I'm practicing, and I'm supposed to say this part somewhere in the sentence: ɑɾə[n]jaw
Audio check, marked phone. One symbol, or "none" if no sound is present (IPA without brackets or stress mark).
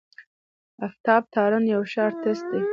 n